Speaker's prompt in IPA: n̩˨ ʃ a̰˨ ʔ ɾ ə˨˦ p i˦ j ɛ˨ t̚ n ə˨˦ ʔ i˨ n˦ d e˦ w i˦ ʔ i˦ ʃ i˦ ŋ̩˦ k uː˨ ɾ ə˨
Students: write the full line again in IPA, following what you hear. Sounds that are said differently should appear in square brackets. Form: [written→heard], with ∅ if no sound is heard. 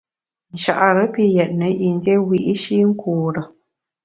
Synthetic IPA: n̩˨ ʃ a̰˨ ʔ ɾ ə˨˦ p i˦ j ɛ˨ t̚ n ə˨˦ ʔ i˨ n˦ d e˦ w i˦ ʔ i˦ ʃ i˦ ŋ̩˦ k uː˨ ɾ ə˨

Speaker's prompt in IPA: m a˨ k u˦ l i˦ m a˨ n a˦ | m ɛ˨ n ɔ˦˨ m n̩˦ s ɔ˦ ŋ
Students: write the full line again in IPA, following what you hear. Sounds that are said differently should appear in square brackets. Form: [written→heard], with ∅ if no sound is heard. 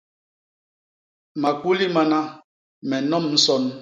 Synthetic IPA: m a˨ k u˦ l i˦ m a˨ n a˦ | m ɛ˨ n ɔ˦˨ m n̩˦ s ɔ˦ [ŋ→n]

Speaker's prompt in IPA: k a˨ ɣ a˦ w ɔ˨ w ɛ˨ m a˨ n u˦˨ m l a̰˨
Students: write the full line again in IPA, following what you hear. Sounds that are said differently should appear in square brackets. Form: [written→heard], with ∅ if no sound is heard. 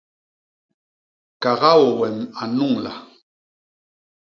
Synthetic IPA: k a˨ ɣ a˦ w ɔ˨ w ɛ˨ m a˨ n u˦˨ [m→ŋ] l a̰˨

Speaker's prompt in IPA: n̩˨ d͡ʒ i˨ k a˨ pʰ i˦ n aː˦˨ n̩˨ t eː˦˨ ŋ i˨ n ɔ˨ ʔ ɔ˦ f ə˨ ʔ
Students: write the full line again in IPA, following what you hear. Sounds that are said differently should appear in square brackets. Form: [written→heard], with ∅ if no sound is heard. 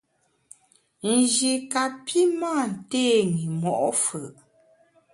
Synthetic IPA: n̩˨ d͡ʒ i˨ k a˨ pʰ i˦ [n→m] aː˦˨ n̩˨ t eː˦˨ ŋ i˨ [n→m] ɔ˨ ʔ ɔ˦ f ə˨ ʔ

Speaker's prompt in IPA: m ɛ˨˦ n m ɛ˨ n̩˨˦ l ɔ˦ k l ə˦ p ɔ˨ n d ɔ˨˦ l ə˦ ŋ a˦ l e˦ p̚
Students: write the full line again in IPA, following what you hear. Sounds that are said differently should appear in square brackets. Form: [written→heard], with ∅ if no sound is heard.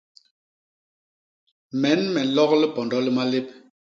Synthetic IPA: m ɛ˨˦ n m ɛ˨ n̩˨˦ l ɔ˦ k l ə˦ p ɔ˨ n d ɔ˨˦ l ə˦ [ŋ→m] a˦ l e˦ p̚

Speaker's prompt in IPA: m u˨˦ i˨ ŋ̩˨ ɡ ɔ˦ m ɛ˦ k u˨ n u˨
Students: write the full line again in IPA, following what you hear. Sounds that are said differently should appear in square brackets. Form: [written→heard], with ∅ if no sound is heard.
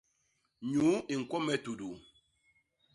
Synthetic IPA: [m→ɲ] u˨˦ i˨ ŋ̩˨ [ɡ→k] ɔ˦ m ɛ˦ [k→t] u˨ [n→d] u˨

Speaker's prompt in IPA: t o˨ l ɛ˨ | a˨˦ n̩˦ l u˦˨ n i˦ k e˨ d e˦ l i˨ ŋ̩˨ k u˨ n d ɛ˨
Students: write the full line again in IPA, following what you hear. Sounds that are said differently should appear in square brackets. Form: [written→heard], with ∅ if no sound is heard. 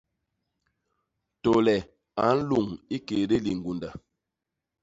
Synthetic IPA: t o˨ l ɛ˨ | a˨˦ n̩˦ l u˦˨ [n→ŋ] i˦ k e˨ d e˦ l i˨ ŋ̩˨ [k→ɡ] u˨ n d [ɛ˨→a˨]

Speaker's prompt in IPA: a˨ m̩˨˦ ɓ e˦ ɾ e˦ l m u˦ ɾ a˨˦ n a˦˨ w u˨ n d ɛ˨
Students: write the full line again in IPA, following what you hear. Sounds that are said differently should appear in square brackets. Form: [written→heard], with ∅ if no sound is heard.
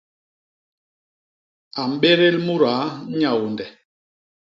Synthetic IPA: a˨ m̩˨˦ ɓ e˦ ɾ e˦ l m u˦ ɾ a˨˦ [n→ɲ] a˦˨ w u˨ n d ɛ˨

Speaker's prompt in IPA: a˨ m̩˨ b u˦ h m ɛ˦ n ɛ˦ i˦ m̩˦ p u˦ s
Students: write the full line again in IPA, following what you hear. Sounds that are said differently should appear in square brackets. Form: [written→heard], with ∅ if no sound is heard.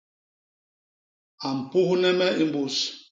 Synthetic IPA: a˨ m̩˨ [b→p] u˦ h [m→n] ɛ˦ [n→m] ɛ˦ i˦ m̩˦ [p→b] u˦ s

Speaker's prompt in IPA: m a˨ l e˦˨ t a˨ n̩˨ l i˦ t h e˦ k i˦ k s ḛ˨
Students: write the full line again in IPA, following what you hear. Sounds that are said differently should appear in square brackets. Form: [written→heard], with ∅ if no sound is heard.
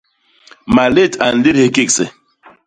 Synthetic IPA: m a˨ l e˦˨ t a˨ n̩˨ l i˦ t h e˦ k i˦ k s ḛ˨

